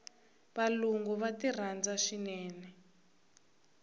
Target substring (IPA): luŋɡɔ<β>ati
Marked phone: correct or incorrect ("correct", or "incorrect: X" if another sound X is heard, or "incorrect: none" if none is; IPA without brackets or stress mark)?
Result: correct